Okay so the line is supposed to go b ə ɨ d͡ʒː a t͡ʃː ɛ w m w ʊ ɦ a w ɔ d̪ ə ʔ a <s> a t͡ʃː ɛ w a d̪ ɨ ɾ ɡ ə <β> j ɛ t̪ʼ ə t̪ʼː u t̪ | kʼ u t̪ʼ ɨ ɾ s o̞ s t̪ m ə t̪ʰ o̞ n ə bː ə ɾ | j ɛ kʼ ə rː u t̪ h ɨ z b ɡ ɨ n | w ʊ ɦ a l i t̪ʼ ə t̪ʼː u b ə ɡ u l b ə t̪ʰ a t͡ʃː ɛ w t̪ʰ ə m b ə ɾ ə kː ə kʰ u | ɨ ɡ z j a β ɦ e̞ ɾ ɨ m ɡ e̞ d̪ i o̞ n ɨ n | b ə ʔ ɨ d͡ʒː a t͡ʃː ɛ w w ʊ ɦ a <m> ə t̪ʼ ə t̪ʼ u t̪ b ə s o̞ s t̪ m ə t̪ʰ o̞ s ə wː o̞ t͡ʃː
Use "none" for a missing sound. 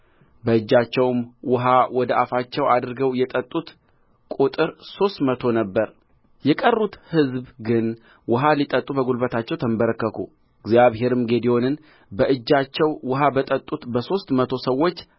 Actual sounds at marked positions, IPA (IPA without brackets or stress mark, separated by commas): f, w, b